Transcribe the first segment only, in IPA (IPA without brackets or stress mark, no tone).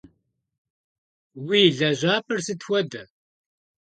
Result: w